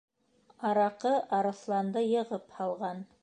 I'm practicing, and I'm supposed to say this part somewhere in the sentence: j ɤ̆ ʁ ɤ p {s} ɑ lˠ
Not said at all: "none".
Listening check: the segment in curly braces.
h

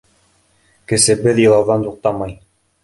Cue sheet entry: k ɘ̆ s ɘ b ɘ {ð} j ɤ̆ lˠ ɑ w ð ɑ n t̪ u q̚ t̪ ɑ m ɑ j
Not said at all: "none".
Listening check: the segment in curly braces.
ð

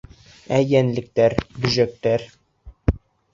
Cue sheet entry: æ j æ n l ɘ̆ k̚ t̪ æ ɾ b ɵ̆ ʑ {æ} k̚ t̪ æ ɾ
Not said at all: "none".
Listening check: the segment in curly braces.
æ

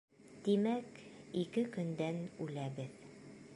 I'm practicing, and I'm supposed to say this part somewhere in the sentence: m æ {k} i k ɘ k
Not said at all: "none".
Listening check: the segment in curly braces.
k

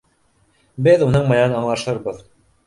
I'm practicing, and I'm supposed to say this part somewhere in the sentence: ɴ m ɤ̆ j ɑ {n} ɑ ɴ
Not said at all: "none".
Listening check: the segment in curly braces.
n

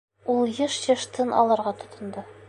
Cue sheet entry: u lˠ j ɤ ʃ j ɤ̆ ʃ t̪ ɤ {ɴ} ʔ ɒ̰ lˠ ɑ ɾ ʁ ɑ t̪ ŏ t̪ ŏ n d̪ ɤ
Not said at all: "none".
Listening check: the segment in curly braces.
n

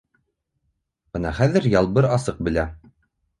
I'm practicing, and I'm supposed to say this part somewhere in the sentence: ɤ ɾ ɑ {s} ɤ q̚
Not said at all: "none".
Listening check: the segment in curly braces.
s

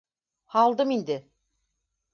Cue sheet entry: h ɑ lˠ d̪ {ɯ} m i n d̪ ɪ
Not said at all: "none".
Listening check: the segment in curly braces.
ɯ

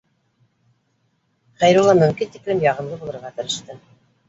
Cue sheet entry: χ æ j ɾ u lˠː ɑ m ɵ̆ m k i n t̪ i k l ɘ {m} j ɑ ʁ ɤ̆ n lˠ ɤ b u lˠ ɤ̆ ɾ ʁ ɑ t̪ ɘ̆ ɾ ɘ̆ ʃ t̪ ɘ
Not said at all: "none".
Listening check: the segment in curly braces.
m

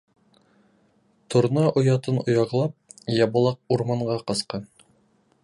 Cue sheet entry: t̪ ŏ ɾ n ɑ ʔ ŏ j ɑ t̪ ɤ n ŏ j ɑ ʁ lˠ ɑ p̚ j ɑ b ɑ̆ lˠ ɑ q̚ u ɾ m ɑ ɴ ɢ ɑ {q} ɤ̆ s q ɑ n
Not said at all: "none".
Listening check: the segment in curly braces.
q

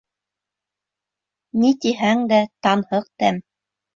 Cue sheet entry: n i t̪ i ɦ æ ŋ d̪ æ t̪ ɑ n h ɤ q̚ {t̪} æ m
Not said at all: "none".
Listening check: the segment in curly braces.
t̪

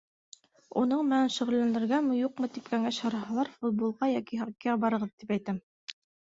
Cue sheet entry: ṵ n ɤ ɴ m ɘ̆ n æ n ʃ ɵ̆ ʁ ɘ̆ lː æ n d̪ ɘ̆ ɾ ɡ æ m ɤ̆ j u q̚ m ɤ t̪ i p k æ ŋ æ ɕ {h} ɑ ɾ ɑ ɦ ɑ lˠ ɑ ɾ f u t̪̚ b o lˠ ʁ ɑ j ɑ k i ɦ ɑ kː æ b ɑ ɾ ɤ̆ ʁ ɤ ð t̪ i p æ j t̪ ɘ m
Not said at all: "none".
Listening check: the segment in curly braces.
h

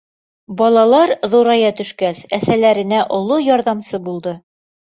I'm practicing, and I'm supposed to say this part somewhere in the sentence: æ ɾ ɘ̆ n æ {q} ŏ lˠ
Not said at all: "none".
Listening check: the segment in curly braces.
ʔ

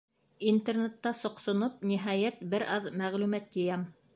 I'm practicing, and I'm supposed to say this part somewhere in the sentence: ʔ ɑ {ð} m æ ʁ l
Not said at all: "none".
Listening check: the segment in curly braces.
ð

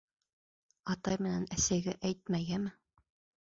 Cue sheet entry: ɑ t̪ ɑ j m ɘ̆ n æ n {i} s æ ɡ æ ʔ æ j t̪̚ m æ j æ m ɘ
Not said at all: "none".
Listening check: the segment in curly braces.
æ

